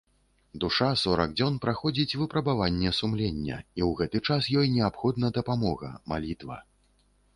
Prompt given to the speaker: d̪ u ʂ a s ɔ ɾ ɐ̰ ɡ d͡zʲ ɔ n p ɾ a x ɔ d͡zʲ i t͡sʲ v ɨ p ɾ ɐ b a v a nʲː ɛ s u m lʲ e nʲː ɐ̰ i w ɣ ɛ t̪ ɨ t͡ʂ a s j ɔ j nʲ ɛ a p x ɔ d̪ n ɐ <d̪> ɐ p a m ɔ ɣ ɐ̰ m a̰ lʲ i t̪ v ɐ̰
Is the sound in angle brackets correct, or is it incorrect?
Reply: correct